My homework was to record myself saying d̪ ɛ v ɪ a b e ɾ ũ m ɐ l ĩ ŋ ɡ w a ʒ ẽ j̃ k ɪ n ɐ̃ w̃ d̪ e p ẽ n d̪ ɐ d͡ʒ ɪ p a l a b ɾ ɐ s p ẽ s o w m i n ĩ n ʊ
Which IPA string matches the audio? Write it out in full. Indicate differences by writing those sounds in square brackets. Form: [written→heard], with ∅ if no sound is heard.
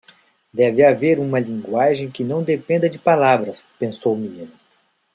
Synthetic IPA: d̪ ɛ v ɪ a [b→v] e ɾ ũ m ɐ l ĩ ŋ ɡ w a ʒ ẽ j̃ k ɪ n ɐ̃ w̃ d̪ e p ẽ n d̪ ɐ d͡ʒ ɪ p a l a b ɾ ɐ s p ẽ s o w m i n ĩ n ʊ